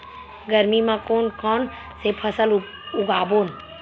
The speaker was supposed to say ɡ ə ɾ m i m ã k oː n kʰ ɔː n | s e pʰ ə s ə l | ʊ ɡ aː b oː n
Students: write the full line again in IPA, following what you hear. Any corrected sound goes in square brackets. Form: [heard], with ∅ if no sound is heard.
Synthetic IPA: ɡ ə ɾ m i m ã k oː n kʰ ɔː n | s e pʰ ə s ə l | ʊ ɡ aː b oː n